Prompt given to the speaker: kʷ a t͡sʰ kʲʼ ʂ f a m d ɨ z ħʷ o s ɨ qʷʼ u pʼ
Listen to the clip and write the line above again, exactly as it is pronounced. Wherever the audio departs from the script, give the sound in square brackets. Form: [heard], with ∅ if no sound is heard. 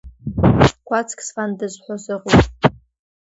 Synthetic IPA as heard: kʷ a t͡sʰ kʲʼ [s] f a [n] d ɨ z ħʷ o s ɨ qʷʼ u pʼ